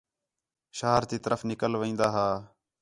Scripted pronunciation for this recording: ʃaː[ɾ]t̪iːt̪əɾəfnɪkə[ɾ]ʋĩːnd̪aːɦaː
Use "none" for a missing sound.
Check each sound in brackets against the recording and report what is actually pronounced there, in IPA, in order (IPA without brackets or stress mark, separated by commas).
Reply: ɾ, l